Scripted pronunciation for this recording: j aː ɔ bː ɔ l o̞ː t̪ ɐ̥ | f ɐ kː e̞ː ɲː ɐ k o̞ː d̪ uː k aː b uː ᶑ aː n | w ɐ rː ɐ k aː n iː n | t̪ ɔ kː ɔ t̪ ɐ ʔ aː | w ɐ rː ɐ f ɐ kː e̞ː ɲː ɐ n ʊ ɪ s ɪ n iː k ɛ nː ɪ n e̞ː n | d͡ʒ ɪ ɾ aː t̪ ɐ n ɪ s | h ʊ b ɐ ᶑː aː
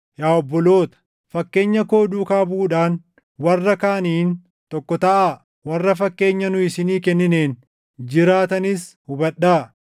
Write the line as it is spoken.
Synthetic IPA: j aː ɔ bː ɔ l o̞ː t̪ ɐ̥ | f ɐ kː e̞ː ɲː ɐ k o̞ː d̪ uː k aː b uː ᶑ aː n | w ɐ rː ɐ k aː n iː n | t̪ ɔ kː ɔ t̪ ɐ ʔ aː | w ɐ rː ɐ f ɐ kː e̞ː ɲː ɐ n ʊ ɪ s ɪ n iː k ɛ nː ɪ n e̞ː n | d͡ʒ ɪ ɾ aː t̪ ɐ n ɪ s | h ʊ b ɐ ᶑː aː